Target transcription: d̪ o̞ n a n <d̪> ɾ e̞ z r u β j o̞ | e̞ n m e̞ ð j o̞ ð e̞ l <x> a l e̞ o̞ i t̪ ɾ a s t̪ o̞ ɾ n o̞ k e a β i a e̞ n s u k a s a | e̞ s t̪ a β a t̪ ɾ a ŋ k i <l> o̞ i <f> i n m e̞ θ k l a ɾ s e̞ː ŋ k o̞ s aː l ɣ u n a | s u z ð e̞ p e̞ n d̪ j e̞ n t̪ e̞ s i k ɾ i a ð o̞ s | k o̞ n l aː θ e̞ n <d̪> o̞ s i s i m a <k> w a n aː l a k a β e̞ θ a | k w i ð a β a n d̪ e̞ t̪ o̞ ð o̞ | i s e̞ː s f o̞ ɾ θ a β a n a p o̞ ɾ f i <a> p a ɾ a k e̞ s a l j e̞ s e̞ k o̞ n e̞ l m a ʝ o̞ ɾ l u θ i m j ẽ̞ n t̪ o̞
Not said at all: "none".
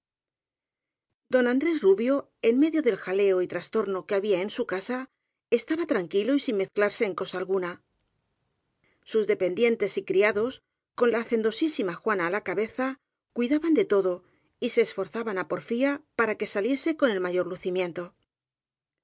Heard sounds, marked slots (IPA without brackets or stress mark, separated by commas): d̪, x, l, s, d̪, x, a